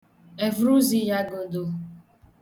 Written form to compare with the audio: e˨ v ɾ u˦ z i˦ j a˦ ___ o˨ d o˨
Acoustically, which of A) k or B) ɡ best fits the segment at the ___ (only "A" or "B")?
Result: B